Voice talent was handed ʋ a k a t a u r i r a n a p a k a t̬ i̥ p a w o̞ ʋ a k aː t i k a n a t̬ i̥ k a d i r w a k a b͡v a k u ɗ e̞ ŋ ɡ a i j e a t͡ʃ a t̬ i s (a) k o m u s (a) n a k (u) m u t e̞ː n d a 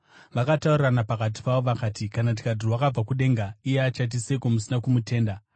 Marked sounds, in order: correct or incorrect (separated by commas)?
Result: incorrect, incorrect, correct